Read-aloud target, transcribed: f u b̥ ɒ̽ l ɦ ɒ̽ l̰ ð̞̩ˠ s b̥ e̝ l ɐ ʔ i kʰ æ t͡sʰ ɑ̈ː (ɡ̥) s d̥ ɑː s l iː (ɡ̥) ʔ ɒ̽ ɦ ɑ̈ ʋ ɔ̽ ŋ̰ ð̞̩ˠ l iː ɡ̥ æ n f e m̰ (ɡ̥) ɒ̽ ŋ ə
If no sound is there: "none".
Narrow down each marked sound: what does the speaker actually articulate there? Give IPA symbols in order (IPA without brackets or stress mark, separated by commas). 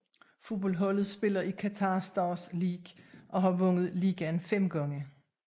none, ɡ̥, ɡ̥